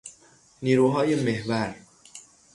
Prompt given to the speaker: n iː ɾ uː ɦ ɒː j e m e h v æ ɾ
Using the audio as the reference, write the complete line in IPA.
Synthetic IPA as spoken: n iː ɾ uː ɦ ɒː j e m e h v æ ɾ